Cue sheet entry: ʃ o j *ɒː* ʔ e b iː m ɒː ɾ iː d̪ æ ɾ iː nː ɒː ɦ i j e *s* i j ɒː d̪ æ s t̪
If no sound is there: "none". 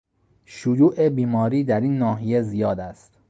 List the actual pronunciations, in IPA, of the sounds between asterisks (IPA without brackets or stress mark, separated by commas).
uː, z